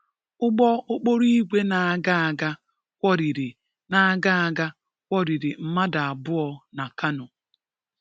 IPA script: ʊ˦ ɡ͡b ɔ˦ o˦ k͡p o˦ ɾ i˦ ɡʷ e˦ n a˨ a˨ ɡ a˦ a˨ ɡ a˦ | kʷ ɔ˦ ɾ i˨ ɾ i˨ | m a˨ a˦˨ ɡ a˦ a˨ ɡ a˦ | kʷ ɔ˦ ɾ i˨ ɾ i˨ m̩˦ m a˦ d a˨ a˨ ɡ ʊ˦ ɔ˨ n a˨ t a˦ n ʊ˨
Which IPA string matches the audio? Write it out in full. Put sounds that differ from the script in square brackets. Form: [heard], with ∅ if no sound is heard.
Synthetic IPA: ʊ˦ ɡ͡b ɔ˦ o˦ k͡p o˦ ɾ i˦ ɡʷ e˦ n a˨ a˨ ɡ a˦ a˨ ɡ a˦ | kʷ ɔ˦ ɾ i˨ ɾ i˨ | [n] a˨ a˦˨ ɡ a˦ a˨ ɡ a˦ | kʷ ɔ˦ ɾ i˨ ɾ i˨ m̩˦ m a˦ d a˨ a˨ [b] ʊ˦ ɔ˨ n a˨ [k] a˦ n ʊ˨

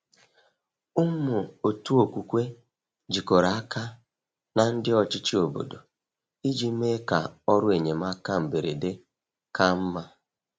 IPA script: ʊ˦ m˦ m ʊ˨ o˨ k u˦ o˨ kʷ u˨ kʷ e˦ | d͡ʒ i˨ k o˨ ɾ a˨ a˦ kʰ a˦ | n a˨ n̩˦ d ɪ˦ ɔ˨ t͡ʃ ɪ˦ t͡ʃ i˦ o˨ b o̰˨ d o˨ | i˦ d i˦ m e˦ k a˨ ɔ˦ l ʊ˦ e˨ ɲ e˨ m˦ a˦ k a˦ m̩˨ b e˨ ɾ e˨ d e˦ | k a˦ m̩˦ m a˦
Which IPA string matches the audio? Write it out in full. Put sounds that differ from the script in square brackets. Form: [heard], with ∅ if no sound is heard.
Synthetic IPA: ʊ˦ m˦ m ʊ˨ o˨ [t] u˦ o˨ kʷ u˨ kʷ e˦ | d͡ʒ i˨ k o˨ ɾ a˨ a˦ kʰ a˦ | n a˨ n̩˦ d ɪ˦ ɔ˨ t͡ʃ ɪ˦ t͡ʃ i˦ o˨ b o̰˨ d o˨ | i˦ [d͡ʒ] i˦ m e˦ k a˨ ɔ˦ [ɾ] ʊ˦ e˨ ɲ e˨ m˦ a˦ k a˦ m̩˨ b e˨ ɾ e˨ d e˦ | k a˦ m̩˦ m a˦

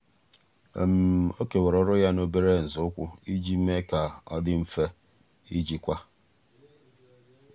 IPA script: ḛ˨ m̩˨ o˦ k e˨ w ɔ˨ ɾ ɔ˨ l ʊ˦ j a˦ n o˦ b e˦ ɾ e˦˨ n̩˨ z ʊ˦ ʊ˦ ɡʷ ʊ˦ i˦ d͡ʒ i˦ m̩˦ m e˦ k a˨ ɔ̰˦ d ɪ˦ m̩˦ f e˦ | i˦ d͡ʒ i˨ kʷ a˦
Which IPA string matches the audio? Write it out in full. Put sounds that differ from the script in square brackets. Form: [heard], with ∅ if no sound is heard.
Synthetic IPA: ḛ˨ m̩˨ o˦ k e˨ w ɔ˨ ɾ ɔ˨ [ɾ] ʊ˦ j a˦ n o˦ b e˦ ɾ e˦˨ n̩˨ z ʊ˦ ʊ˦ [kʷ] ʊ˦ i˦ d͡ʒ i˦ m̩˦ m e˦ k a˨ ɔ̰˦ d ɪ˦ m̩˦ f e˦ | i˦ d͡ʒ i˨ kʷ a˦

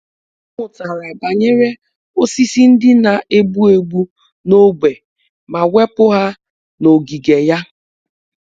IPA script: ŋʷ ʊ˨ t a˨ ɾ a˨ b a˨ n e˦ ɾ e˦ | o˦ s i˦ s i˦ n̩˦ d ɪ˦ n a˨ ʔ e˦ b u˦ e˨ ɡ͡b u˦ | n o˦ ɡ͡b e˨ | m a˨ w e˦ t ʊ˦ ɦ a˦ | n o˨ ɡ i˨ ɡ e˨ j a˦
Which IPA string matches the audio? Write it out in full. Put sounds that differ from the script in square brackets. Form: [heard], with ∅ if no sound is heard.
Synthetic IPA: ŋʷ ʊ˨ t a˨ ɾ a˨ b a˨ [ɲ] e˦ ɾ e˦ | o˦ s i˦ s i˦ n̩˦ d ɪ˦ n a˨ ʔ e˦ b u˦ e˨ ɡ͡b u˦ | n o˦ ɡ͡b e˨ | m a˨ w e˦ [p] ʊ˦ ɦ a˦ | n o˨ ɡ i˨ ɡ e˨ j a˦

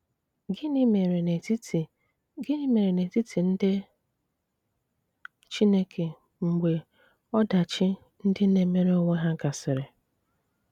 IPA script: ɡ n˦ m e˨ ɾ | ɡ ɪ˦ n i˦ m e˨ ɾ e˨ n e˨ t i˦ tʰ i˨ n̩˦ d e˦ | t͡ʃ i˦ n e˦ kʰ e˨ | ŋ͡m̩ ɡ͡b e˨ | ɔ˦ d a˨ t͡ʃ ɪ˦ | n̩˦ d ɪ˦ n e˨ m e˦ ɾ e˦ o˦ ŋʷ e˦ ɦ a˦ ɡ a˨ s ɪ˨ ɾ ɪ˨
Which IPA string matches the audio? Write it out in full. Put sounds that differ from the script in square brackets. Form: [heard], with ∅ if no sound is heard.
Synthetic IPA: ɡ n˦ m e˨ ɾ | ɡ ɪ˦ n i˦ m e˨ ɾ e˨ n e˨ t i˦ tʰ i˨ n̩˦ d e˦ | t͡ʃ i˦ n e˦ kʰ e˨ | ŋ͡m̩ ɡ͡b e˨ | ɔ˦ d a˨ t͡ʃ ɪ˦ | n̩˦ d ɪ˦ n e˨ m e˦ ɾ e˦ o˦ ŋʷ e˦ ɦ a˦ ɡ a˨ s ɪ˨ ɾ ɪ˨

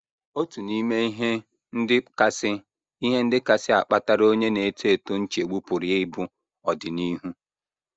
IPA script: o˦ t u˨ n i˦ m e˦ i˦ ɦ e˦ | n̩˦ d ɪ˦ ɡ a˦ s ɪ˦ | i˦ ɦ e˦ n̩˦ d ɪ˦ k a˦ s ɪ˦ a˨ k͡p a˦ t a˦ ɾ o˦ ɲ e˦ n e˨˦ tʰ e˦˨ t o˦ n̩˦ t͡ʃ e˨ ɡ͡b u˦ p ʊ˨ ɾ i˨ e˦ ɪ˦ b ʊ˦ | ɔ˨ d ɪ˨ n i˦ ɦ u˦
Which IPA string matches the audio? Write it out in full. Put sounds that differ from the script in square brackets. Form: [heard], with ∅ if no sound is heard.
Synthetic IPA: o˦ t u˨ n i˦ m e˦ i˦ ɦ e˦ | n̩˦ d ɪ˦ [k] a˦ s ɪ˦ | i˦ ɦ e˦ n̩˦ d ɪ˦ k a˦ s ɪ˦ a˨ k͡p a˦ t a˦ ɾ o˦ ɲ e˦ n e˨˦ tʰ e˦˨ t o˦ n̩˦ t͡ʃ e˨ ɡ͡b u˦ p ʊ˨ ɾ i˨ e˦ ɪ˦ b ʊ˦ | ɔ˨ d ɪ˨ n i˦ ɦ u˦

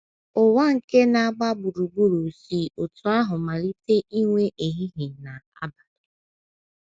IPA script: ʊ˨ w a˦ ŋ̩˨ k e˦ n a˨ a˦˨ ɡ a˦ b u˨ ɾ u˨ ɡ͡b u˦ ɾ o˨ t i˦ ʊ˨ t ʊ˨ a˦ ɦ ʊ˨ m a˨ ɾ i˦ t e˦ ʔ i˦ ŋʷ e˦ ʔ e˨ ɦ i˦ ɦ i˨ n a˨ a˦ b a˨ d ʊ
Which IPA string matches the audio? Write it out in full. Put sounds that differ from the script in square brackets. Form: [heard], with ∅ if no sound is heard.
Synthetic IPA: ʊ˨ w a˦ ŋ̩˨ k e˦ n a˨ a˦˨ [ɡ͡b] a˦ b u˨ ɾ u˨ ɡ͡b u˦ ɾ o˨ [s] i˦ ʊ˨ t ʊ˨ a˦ ɦ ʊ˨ m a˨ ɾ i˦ t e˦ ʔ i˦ ŋʷ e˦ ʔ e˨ ɦ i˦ ɦ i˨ n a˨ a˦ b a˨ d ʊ

